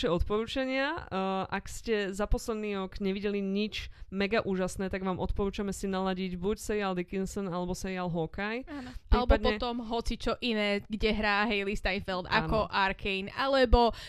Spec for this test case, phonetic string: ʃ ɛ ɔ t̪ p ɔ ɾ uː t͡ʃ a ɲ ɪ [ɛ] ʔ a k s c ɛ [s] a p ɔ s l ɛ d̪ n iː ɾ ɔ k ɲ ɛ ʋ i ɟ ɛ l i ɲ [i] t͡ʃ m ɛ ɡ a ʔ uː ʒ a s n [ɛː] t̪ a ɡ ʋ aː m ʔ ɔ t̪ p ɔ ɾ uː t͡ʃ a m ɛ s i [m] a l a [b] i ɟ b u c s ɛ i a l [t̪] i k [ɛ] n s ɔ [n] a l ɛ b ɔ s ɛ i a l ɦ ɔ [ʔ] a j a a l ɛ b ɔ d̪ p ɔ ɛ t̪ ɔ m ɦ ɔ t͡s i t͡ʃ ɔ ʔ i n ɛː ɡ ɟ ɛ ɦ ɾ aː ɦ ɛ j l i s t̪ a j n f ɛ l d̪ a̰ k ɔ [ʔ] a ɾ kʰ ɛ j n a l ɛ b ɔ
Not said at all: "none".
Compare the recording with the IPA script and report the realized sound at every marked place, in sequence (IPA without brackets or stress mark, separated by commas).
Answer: a, z, i, ɛː, n, ɟ, d̪, i, n, k, ʔ